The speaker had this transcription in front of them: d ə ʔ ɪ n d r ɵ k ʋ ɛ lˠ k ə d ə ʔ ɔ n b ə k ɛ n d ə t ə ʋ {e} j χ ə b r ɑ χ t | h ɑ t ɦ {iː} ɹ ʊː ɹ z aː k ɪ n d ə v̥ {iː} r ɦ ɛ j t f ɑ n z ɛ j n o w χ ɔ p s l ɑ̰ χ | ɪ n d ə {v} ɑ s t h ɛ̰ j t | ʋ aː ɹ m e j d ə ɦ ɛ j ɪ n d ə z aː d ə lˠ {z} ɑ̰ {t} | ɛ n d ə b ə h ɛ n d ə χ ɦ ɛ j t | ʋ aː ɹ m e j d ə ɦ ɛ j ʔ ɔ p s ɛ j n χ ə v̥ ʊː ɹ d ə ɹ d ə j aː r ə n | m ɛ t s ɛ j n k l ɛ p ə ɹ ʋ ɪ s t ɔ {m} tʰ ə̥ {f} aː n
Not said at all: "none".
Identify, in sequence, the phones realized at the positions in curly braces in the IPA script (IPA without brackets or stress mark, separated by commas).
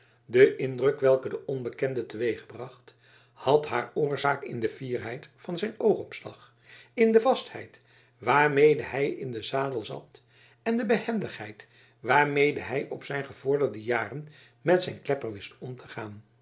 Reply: e, aː, iː, v, z, t, m, χ